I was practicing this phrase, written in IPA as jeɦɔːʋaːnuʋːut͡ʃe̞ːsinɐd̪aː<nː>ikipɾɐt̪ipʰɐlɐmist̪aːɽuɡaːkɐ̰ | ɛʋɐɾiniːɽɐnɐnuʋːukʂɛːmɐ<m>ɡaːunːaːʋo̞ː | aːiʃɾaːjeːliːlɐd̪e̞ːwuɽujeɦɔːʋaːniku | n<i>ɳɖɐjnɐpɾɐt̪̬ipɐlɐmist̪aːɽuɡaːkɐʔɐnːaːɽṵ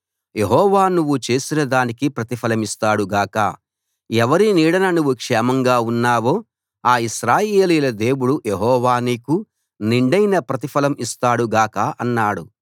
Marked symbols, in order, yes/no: no, no, yes

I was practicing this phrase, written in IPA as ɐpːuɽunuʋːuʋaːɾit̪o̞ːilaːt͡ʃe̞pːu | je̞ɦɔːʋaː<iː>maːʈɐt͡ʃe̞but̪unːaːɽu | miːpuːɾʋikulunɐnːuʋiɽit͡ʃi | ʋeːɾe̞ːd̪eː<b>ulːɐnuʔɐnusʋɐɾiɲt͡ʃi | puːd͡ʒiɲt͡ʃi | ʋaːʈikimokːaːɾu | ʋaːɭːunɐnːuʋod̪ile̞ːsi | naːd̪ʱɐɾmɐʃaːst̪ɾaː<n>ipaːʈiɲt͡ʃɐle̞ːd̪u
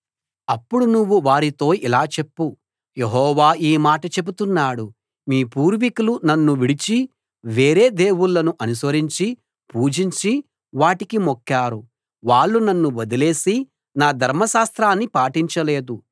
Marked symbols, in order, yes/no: yes, no, no

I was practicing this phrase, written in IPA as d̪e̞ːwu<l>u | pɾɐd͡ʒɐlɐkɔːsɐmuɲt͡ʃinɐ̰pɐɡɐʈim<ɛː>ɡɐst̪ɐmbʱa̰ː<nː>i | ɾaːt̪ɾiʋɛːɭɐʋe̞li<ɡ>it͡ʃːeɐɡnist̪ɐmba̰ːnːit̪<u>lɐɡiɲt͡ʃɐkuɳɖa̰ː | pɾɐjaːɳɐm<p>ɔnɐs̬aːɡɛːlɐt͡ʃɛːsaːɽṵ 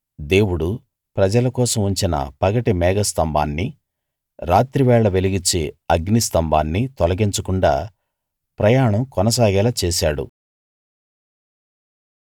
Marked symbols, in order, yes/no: no, yes, yes, yes, no, no

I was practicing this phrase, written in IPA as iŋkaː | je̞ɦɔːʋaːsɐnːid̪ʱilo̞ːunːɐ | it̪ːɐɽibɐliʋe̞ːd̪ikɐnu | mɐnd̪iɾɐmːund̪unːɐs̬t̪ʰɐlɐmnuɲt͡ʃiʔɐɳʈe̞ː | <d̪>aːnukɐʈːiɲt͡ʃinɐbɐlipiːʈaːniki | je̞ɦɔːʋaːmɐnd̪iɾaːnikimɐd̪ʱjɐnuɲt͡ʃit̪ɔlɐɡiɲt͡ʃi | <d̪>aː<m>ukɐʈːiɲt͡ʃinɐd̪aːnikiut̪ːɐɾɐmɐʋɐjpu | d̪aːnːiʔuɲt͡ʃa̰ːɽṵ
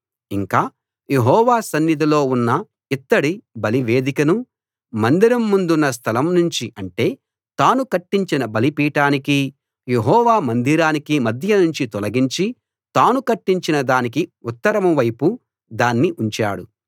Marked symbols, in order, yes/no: no, no, no

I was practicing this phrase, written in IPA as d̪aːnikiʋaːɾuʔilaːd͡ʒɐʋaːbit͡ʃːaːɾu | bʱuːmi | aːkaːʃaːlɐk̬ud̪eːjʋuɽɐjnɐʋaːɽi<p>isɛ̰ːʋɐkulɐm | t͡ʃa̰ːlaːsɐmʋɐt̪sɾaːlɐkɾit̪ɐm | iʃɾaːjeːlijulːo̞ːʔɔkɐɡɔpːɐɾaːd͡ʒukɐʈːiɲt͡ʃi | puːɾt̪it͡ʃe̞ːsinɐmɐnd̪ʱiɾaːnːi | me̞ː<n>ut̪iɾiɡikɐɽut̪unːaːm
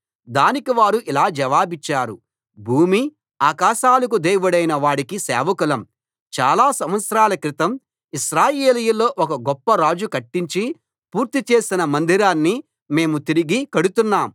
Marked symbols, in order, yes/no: no, no

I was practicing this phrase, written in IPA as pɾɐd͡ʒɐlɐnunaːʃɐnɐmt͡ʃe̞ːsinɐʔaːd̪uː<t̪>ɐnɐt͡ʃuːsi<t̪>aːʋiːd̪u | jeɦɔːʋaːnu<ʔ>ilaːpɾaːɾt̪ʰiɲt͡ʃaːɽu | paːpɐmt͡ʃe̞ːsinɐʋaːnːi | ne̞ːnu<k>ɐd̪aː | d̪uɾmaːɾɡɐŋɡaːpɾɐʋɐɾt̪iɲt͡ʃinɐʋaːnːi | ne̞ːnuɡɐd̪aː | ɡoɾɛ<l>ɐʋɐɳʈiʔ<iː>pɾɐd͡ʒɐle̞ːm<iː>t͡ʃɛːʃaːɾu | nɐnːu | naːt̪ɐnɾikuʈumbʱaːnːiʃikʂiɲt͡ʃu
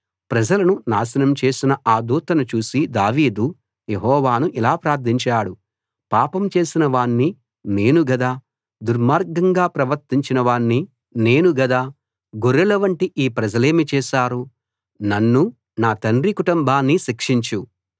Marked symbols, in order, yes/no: yes, no, yes, no, yes, yes, no

